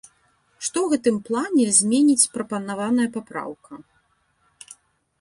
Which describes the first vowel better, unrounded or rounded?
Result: rounded